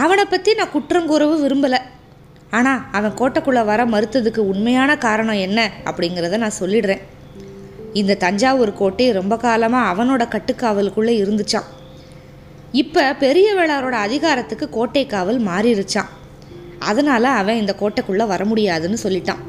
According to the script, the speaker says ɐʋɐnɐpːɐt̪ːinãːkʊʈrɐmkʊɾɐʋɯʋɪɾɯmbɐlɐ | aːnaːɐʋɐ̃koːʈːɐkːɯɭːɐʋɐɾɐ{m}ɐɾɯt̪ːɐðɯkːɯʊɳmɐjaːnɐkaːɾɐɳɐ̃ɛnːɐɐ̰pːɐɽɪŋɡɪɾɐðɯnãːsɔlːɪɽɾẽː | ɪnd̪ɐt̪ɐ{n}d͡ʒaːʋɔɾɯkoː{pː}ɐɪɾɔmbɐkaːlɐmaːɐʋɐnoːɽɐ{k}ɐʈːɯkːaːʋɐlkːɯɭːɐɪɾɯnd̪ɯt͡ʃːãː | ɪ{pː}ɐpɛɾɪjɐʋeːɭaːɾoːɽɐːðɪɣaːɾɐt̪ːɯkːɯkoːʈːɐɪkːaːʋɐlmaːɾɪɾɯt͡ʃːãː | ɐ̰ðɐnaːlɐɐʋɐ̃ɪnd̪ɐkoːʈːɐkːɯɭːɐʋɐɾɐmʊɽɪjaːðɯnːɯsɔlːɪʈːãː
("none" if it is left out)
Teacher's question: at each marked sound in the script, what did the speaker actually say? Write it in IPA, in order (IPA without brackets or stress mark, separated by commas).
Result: m, ɲ, ʈː, k, pː